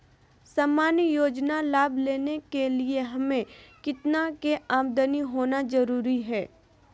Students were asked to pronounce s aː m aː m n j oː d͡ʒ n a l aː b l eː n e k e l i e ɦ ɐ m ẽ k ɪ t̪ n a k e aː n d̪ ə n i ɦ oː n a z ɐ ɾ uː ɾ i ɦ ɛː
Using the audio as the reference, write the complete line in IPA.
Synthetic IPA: s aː m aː n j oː d͡ʒ n a l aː b l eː n e k e l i e ɦ ɐ m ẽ k ɪ t̪ n a k e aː m d̪ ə n i ɦ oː n a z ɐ ɾ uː ɾ i ɦ ɛː